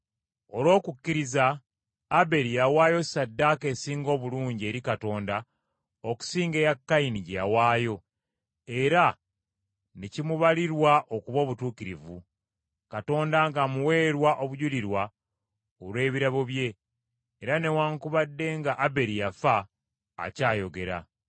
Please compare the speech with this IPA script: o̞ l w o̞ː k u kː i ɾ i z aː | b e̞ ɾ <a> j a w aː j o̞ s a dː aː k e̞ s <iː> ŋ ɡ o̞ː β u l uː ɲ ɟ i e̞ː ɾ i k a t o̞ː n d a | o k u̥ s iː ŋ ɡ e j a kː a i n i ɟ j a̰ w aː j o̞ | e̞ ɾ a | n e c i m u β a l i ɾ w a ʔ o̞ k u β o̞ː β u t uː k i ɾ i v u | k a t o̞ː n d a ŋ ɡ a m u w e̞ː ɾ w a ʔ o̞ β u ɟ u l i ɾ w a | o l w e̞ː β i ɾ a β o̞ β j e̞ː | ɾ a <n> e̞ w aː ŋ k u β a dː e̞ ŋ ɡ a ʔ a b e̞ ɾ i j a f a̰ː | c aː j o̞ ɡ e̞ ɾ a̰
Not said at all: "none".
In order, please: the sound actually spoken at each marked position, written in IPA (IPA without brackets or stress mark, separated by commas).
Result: i, iː, n